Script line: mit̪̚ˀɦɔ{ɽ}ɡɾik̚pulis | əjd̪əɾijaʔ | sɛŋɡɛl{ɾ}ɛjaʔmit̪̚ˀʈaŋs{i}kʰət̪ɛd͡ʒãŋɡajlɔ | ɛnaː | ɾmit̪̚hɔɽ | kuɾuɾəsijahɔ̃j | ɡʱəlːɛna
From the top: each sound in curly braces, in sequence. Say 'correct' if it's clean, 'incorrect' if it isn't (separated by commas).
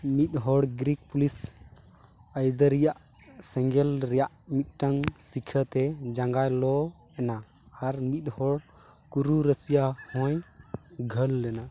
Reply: correct, correct, correct